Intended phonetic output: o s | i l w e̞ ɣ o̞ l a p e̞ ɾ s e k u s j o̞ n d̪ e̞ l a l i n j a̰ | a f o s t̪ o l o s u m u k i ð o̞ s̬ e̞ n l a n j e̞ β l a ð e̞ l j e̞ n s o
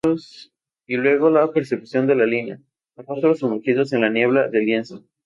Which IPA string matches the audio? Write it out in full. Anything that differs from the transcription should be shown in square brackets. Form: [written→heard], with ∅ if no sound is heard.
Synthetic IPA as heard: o s | i l w e̞ ɣ o̞ l a p e̞ ɾ s e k u s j o̞ n d̪ e̞ l a l i n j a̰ | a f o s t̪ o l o s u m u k i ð o̞ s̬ e̞ n l a n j e̞ β l a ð e̞ l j e̞ n s o